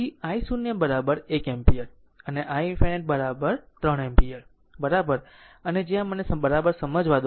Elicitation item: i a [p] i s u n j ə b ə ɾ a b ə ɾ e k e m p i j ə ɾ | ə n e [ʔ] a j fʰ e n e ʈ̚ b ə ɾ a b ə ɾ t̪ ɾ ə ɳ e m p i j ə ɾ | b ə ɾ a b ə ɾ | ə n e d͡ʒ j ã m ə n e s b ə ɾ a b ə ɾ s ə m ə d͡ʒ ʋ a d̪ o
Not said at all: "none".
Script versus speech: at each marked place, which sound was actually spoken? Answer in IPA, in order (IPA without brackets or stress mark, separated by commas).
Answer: none, ʔ